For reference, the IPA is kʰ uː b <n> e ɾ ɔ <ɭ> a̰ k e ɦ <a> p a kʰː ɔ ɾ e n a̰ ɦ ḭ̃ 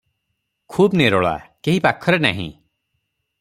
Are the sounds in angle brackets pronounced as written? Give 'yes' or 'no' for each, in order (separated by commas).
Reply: yes, yes, no